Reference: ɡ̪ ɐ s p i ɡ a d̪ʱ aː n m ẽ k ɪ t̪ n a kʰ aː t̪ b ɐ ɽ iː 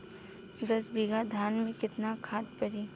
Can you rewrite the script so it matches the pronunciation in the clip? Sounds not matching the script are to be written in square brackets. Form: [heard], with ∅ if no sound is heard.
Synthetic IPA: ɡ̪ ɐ s [b] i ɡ a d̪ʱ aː n m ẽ k ɪ t̪ n a kʰ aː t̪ [p] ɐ [ɾ] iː